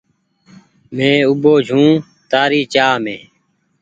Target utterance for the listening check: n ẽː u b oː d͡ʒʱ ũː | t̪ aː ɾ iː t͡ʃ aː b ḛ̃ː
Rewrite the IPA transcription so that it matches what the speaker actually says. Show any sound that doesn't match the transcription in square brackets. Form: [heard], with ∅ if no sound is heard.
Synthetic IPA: [m] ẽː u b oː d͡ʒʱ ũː | t̪ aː ɾ iː t͡ʃ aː [m] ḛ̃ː